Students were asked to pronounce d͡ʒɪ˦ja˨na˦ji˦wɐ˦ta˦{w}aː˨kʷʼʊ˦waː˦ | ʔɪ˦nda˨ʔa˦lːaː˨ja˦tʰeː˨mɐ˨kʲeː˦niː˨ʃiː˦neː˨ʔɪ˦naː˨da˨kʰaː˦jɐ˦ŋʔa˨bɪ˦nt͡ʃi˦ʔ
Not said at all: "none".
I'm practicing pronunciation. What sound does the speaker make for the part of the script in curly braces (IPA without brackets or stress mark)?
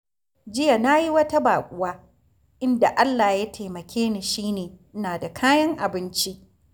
b